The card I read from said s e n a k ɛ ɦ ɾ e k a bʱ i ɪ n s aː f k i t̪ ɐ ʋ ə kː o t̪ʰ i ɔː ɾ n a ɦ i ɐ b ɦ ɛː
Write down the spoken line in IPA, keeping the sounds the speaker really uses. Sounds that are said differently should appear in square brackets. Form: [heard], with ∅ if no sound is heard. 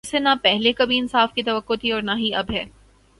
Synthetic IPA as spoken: s e n a [p] ɛ ɦ [l] e k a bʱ i ɪ n s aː f k i t̪ ɐ ʋ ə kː o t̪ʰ i ɔː ɾ n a ɦ i ɐ b ɦ ɛː